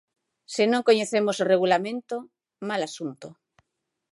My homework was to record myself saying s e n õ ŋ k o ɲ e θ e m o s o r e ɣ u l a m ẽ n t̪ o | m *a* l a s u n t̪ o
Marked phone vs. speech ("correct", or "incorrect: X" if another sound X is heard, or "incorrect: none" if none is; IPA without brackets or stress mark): correct